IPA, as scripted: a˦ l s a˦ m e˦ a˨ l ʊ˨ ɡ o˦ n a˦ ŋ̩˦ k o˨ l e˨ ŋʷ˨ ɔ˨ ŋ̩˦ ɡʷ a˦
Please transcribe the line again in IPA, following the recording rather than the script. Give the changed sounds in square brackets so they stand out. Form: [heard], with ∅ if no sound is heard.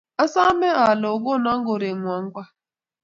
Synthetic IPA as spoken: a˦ [∅] s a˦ m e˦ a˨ l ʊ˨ ɡ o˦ n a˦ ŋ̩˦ [ɡ] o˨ [ɾ] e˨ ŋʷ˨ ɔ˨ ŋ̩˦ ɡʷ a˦